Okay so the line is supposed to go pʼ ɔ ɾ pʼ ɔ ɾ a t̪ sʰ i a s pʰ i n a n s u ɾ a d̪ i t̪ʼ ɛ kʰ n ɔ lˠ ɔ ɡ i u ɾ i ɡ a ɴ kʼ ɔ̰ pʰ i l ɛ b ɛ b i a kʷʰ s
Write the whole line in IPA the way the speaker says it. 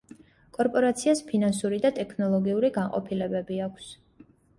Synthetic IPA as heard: kʼ ɔ ɾ pʼ ɔ ɾ a t̪ sʰ i a s pʰ i n a n s u ɾ i d̪ a t̪ʼ ɛ kʰ n ɔ lˠ ɔ ɡ i u ɾ i ɡ a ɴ qʼ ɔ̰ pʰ i l ɛ b ɛ b i a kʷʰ s